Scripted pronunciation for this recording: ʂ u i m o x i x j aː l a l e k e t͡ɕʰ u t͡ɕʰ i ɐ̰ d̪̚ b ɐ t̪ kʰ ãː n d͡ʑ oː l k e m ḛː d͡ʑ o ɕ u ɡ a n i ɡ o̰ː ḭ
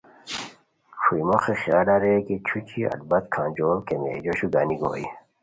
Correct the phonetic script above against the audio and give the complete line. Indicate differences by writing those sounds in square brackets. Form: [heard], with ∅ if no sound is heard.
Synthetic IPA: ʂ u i m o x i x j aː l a [ɾ] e k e t͡ɕʰ u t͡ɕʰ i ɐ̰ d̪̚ b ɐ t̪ kʰ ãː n d͡ʑ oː l k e m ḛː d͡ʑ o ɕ u ɡ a n i ɡ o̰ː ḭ